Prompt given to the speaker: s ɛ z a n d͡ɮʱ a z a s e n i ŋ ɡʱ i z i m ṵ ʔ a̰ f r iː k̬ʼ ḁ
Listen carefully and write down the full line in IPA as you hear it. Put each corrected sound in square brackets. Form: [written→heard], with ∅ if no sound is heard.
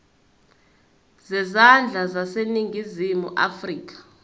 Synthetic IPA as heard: [s→z] ɛ z a n d͡ɮʱ a z a s e n i ŋ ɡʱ i z i m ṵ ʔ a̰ f r iː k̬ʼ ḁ